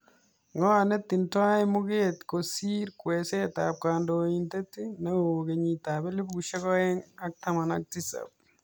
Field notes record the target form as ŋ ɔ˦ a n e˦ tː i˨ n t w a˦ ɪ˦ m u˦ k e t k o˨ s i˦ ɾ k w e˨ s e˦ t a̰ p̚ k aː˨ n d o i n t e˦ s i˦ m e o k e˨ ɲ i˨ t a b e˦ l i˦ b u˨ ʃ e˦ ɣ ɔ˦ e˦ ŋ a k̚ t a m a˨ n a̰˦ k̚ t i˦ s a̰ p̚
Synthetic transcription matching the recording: ŋ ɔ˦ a n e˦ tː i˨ n t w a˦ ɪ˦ m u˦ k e t k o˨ s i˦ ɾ k w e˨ s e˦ t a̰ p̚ k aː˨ n d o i n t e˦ t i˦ n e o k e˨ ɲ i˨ t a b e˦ l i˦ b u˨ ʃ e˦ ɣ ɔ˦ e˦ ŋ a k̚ t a m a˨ n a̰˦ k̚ t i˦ s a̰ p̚